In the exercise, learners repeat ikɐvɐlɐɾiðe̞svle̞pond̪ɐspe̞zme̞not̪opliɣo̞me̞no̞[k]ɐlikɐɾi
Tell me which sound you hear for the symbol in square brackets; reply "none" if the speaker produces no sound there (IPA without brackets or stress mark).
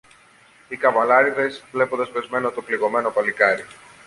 p